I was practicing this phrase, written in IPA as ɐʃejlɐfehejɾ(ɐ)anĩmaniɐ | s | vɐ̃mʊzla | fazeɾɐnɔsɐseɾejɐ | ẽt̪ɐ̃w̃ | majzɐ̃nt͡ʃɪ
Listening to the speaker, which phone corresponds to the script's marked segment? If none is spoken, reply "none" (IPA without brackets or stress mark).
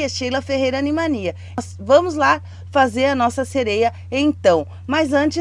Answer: ɐ